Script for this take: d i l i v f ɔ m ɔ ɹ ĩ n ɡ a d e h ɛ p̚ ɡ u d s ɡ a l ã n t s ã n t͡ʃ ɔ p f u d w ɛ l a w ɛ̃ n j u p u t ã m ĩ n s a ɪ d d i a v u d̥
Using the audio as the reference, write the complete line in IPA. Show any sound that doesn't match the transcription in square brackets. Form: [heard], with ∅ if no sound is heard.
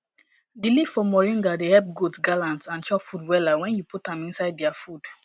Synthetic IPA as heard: d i l i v f ɔ m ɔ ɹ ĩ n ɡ a d e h ɛ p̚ ɡ u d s ɡ a l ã n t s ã n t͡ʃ ɔ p f u d w ɛ l a w ɛ̃ n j u p u t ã m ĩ n s a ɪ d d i a [f] u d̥

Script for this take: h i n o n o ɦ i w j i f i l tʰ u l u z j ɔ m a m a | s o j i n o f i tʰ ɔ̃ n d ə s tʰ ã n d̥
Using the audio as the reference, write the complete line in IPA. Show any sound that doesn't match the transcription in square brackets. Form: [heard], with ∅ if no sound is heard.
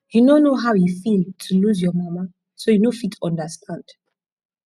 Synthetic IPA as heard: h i n o n o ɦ [a] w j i f i l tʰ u l u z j ɔ m a m a | s o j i n o f i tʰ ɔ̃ n d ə s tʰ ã n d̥

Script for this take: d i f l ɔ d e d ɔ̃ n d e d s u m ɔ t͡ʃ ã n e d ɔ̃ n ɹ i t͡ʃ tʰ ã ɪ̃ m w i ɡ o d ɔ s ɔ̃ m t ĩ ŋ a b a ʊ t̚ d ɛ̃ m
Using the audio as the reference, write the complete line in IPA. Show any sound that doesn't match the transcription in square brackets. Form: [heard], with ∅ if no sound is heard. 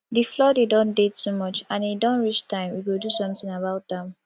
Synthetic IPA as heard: d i f l ɔ d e d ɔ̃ n d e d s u m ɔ t͡ʃ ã n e d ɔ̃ n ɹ i t͡ʃ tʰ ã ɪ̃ m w i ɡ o d [u] s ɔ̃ m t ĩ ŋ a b a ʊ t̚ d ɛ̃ m

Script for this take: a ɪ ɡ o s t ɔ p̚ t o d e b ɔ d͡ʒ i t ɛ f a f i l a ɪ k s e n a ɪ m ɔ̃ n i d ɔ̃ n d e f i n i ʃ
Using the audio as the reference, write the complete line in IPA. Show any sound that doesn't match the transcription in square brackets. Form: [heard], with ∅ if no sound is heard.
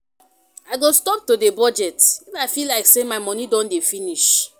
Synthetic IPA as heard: a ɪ ɡ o s t ɔ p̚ t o d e b ɔ d͡ʒ [ɛ] t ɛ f a f i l a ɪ k s e [m] a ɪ m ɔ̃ n i d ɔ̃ n d e f i n i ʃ

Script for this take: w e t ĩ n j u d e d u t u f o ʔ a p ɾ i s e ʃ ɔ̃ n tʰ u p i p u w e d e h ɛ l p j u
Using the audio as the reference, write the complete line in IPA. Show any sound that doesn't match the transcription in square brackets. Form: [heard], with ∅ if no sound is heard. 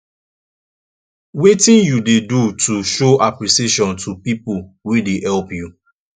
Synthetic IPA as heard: w e t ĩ n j u d e d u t u [ʃ] o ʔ a p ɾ i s e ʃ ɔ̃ n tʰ u p i p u w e d e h ɛ l p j u

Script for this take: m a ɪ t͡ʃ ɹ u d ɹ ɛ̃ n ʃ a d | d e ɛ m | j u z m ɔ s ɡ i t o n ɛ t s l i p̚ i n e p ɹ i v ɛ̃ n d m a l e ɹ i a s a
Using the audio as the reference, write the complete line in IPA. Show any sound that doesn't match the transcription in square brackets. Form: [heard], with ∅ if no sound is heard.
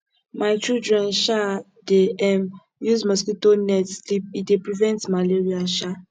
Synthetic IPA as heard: m a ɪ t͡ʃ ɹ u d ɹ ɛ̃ n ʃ a [∅] | d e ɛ m | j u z m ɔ s [k] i t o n ɛ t s l i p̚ i [d] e p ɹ i v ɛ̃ n [t] m a l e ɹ i a [ʃ] a

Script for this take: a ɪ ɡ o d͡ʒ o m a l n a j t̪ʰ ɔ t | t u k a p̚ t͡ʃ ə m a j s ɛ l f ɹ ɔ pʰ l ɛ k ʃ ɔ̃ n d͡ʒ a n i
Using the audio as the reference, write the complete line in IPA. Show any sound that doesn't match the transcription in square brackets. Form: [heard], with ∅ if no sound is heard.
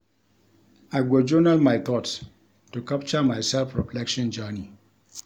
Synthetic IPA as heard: a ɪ ɡ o d͡ʒ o [n] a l [m] a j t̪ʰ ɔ t | t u k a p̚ t͡ʃ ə m a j s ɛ l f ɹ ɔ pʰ l ɛ k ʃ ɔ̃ n d͡ʒ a n i

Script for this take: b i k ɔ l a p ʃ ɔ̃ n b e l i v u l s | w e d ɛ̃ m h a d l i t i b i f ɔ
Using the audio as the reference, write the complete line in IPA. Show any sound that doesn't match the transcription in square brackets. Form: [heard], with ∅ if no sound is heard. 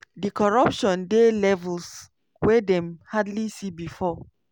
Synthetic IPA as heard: [d] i k ɔ [ɹ] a p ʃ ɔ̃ n [d] e l [ɛ] v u l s | w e d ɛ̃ m h a d l i [s] i b i f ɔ

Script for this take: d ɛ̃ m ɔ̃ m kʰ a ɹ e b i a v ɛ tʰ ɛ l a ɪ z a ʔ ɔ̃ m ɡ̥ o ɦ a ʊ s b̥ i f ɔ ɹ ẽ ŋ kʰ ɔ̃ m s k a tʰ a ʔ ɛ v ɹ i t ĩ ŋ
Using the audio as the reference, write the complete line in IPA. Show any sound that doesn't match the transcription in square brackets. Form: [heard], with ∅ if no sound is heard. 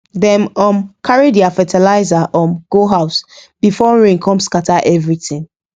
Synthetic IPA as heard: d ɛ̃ m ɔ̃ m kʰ a ɹ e [d] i a [f] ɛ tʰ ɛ l a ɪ z a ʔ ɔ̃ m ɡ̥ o ɦ a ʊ s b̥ i f ɔ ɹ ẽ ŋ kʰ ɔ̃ m s k a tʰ a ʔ ɛ v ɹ i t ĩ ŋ

